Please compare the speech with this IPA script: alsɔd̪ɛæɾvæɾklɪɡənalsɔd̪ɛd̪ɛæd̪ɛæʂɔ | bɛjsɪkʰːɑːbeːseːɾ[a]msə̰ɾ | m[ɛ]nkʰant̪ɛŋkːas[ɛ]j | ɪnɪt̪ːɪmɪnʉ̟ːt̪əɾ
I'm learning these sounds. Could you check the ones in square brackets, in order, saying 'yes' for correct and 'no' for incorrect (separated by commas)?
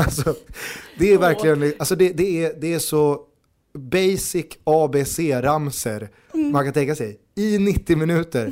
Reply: yes, no, yes